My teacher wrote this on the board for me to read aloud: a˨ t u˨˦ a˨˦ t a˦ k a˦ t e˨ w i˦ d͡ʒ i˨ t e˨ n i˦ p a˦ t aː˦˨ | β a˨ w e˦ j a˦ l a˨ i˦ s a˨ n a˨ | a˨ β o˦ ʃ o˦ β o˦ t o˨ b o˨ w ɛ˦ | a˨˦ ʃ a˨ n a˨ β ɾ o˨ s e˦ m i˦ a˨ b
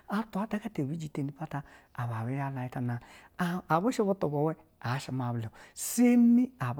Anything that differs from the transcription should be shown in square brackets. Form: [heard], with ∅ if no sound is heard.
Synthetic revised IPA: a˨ t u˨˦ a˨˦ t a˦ k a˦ t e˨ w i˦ d͡ʒ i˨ t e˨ n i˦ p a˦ t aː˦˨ | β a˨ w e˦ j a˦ l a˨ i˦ [t] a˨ n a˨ | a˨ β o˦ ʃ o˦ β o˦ t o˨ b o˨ w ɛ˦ | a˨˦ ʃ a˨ [m] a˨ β [l] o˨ s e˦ m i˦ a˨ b